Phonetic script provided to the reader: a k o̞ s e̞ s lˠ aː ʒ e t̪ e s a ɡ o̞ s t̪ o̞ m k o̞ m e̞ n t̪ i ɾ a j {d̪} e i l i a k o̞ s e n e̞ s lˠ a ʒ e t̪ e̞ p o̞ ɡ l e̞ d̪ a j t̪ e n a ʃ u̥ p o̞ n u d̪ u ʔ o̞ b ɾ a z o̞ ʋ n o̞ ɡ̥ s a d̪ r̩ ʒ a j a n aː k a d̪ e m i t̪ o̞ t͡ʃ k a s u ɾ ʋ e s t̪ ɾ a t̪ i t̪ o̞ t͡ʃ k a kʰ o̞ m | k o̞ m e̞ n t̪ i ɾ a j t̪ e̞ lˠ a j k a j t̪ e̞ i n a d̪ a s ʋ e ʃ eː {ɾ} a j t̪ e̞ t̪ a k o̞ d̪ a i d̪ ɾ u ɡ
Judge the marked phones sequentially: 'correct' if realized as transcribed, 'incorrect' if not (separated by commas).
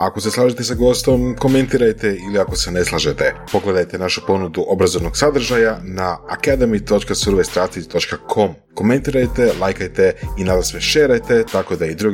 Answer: incorrect, correct